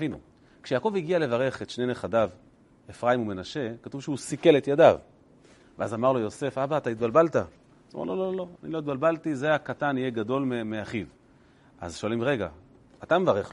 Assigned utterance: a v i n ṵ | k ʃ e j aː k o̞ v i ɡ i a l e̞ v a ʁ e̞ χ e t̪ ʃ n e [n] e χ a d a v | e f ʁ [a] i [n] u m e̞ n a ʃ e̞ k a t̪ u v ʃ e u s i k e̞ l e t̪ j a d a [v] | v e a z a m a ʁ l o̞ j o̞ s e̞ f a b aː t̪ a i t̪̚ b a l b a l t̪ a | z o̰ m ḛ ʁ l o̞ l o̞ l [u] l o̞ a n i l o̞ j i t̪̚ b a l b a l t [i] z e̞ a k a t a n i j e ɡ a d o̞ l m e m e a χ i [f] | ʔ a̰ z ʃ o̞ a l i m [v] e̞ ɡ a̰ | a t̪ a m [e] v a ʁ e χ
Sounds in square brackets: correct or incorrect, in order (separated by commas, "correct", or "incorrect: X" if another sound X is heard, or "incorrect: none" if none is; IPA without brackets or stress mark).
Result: correct, correct, incorrect: m, correct, incorrect: o, correct, incorrect: v, incorrect: ʁ, correct